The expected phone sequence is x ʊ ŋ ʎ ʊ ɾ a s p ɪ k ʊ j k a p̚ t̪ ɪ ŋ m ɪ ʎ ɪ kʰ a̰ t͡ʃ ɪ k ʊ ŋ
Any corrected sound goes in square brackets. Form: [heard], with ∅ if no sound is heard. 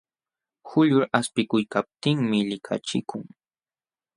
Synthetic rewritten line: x ʊ [∅] ʎ ʊ ɾ a s p ɪ k ʊ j k a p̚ t̪ ɪ ŋ m ɪ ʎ ɪ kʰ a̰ t͡ʃ ɪ k ʊ ŋ